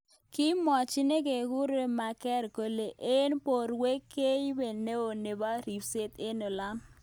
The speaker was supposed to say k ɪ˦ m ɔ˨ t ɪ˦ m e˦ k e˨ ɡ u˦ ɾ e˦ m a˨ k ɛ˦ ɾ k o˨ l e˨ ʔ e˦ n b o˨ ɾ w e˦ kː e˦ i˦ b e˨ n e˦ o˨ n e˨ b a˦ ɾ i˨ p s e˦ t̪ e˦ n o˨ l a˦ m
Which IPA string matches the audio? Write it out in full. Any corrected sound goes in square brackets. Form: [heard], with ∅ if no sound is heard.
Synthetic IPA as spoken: k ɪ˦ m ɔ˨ [t͡ʃ] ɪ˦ [n] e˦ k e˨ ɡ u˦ ɾ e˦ m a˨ k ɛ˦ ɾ k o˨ l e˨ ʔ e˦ n [p] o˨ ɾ w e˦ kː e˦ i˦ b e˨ n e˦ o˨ n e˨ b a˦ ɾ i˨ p s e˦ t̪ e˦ n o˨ l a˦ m